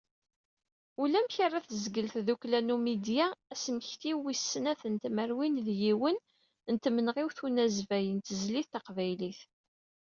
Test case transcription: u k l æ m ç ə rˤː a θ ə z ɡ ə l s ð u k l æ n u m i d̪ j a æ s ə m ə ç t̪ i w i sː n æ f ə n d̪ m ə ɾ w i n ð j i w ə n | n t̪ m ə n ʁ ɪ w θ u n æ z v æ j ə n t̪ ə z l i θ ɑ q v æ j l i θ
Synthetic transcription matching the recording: u l æ m ç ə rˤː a θ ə z ɡ ə l θ ð u k l æ n u m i d̪ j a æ s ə m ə ç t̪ i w i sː n æ θ ə n t̪ m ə ɾ w i n ð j i w ə n | n t̪ m ə n ʁ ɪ w θ u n æ z v æ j ə n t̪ ə z l i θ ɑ q v æ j l i θ

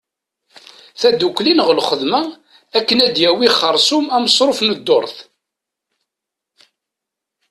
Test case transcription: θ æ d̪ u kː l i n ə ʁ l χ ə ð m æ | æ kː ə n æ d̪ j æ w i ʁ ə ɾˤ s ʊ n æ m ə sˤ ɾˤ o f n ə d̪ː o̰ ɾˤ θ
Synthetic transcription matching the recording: θ æ d̪ u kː l i n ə ʁ l χ ə ð m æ | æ kː ə n æ d̪ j æ w i χ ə ɾˤ s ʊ m æ m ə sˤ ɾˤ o f n ə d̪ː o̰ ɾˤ θ

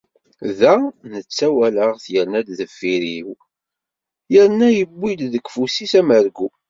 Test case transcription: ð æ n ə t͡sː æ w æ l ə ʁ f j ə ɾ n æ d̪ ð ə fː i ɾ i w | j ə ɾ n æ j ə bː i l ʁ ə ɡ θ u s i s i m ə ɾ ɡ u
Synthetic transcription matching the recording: ð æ n ə t͡sː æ w æ l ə ʁ θ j ə ɾ n æ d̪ ð ə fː i ɾ i w | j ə ɾ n æ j ə bː i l ð ə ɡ f u s i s æ m ə ɾ ɡ u

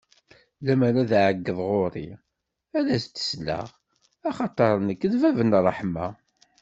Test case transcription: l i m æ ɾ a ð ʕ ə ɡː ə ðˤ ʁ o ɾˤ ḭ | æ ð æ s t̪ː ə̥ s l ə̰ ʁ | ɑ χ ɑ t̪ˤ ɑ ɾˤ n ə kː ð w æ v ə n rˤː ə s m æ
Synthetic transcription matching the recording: l æ m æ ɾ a ð ʕ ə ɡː ə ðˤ ʁ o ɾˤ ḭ | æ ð æ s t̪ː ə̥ s l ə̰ ʁ | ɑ χ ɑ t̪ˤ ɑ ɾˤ n ə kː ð v æ v ə n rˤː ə ħ m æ

